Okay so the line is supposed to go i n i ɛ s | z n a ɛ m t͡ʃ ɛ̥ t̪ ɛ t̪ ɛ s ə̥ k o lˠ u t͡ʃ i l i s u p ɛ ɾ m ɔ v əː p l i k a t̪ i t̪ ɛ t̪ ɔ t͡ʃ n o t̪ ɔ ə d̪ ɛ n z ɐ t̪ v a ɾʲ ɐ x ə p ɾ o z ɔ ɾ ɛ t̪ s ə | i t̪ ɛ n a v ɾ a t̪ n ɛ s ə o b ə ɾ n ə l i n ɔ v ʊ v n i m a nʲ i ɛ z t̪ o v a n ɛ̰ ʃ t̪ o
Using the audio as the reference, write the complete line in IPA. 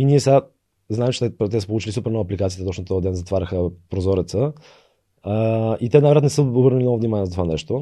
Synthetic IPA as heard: i n i ɛ s | z n a ɛ m t͡ʃ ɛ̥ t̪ ɛ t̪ ɛ s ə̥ p o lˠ u t͡ʃ i l i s u p ɛ ɾ n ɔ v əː p l i k a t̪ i t̪ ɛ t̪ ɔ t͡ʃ n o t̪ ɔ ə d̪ ɛ n z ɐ t̪ v a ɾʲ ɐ x ə p ɾ o z ɔ ɾ ɛ t̪ s ə | i t̪ ɛ n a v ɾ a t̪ n ɛ s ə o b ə ɾ n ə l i n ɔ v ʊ v n i m a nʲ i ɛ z t̪ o v a n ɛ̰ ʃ t̪ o